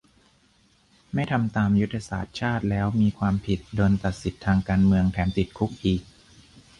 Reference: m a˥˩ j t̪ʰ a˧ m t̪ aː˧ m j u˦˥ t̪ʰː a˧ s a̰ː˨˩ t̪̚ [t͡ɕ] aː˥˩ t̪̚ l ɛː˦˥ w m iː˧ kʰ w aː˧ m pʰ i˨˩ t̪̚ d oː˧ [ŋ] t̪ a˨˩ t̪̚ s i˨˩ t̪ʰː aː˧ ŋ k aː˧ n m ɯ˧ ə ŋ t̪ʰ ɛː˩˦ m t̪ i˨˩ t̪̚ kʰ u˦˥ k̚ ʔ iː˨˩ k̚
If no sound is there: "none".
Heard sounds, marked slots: t͡ɕʰ, n

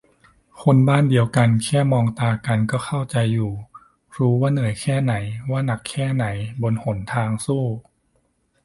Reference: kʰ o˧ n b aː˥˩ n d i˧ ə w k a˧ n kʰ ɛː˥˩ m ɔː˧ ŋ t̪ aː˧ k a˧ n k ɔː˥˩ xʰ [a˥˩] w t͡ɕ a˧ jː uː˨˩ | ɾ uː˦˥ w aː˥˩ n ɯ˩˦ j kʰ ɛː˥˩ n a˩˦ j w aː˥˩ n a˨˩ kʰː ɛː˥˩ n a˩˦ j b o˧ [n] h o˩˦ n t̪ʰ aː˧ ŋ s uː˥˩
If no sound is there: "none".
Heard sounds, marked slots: a˥˩, n

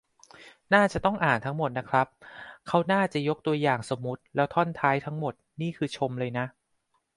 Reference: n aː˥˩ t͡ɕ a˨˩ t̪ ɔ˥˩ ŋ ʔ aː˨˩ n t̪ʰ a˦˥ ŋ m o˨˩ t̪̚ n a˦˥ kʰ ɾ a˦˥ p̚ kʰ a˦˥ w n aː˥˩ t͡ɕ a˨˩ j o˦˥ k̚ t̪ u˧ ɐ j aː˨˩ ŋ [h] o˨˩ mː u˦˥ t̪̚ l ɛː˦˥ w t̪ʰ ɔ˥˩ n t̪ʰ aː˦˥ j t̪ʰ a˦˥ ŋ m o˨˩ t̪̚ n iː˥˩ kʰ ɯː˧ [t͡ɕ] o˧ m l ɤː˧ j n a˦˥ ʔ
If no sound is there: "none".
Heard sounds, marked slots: s, t͡ɕʰ

